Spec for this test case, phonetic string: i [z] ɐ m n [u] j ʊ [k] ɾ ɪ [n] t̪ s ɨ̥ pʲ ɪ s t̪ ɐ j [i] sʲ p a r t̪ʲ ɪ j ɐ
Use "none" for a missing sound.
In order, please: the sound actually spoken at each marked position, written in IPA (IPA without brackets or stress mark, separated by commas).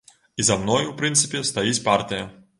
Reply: z, ɔ, p, n, i